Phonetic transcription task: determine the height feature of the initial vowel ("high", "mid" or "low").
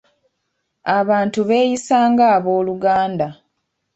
low